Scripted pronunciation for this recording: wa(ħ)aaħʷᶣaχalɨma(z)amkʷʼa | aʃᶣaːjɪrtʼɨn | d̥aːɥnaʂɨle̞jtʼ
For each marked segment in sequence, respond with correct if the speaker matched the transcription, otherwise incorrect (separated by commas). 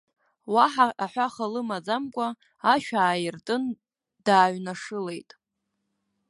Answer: correct, incorrect